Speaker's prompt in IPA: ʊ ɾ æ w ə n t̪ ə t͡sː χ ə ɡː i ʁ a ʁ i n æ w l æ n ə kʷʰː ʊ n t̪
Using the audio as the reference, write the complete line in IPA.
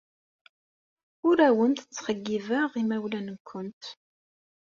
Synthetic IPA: ʊ ɾ æ w ə n t̪ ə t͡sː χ ə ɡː i v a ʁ i m æ w l æ n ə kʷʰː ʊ n t̪